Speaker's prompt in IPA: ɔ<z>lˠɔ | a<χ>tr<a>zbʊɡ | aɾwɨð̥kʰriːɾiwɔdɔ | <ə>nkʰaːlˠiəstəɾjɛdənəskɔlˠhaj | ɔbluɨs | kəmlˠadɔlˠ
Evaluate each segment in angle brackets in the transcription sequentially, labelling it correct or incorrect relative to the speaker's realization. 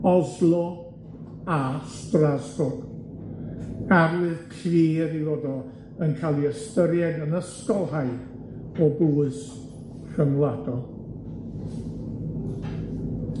correct, incorrect: s, correct, correct

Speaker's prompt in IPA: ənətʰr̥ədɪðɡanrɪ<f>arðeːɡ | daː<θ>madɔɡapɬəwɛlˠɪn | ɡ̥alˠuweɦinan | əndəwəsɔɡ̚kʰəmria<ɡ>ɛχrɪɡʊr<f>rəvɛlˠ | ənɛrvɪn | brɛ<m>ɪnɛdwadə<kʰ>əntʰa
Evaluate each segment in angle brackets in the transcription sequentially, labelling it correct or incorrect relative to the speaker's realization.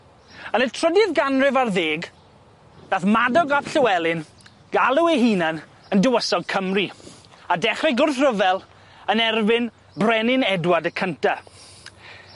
incorrect: v, correct, incorrect: d, incorrect: θ, incorrect: n, correct

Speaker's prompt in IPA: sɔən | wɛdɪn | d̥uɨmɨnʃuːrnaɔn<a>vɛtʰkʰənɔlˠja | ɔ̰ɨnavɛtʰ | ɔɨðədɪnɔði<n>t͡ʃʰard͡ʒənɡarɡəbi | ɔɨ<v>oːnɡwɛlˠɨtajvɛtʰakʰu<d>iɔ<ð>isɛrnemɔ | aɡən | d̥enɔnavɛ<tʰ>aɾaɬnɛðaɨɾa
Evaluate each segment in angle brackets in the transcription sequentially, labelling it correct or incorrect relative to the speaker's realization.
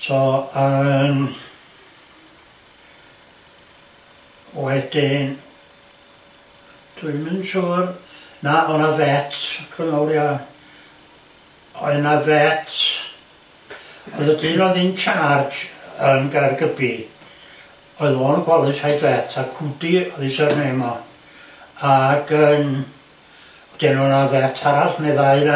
correct, correct, incorrect: ð, correct, correct, correct

